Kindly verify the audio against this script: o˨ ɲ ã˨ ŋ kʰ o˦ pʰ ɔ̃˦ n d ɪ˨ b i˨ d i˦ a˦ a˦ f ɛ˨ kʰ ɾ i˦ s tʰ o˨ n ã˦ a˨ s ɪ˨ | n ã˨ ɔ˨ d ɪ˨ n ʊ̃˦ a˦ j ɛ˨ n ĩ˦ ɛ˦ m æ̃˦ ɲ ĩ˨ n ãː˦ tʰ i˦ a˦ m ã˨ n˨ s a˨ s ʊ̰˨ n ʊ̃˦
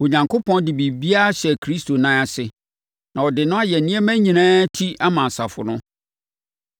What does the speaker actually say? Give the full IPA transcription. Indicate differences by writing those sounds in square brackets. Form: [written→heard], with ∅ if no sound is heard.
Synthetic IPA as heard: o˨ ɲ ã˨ ŋ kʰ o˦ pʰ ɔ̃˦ n d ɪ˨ b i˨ [d→b] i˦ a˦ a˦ [f→ɕ] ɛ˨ kʰ ɾ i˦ s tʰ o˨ n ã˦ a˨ s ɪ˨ | n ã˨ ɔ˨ d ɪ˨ n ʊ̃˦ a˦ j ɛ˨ n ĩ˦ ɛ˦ m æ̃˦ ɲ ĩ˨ n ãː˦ tʰ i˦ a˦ m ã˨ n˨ s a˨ [s→f] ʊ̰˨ n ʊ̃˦

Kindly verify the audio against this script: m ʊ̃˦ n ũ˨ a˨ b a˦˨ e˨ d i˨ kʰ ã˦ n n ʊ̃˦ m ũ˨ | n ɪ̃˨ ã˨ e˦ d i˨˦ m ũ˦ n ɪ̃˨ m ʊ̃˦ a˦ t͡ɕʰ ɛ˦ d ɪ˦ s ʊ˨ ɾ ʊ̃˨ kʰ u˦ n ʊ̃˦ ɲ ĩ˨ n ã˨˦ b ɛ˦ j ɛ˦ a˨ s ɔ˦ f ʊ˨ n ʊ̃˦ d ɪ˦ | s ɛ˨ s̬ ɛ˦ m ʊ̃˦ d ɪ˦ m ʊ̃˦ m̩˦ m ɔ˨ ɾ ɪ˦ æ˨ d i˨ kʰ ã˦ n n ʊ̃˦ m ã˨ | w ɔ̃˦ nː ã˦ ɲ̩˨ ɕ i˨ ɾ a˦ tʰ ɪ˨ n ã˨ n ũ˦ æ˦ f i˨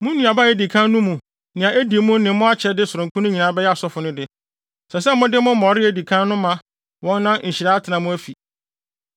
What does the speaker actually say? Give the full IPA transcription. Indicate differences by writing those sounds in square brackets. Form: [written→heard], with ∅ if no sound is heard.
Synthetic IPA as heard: m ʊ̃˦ n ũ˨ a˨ b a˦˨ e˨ d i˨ kʰ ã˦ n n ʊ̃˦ m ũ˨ | n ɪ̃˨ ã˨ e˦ d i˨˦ m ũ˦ n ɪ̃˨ m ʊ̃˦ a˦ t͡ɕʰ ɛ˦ d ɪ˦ s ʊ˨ ɾ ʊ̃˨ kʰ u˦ n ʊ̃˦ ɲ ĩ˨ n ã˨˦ b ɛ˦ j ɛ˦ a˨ s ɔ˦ f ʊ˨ n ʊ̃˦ d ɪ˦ | s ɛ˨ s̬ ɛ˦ m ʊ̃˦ d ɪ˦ m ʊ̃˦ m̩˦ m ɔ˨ ɾ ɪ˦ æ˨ d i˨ kʰ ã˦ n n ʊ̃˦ m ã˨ | w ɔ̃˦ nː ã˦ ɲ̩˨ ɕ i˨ ɾ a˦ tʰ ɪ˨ n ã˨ [n→m] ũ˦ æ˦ f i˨

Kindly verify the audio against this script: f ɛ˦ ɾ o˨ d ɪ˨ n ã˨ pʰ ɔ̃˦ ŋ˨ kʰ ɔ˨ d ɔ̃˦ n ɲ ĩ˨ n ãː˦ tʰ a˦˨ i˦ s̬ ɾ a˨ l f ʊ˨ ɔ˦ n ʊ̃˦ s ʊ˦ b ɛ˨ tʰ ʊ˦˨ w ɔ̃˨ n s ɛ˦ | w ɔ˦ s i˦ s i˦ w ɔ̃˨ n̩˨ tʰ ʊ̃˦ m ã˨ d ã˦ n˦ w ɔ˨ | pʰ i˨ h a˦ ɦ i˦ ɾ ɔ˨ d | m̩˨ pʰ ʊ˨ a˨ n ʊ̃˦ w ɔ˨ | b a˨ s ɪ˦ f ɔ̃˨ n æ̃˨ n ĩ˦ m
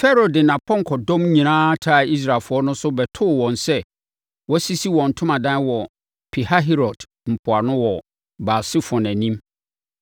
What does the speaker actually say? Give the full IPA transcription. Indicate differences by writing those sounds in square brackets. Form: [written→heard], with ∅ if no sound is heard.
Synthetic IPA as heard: f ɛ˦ ɾ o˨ d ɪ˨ n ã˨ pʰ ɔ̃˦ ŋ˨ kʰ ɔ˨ d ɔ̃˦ [n→m] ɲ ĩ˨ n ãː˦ tʰ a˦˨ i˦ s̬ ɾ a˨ l f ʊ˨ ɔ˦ n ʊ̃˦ s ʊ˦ b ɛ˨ tʰ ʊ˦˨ w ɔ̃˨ n s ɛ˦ | w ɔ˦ s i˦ s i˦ w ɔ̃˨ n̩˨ tʰ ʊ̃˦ m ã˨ d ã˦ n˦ w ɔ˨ | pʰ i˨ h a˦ ɦ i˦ ɾ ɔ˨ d | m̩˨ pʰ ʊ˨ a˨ n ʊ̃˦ w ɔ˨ | b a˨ s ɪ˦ f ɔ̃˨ n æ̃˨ n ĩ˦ m

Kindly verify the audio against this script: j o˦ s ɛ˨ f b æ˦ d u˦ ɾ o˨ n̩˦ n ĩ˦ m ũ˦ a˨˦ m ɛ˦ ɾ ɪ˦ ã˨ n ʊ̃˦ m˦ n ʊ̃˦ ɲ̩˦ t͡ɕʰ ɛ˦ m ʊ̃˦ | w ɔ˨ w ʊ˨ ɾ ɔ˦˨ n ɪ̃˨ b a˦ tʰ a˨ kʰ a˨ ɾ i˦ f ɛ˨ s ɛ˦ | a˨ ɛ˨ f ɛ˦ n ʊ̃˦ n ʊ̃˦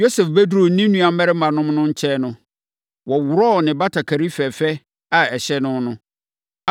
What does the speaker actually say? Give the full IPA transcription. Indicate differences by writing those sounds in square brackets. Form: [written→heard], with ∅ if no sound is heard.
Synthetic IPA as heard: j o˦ s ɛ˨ f b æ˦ d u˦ ɾ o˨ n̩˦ n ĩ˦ [m→n] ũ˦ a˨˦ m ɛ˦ ɾ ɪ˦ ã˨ n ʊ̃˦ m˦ n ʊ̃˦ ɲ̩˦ t͡ɕʰ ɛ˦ [m→n] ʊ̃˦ | w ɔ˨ w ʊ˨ ɾ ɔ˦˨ n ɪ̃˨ b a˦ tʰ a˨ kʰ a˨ ɾ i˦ f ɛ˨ [s→f] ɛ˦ | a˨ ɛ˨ [f→ɕ] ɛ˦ n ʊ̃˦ n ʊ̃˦

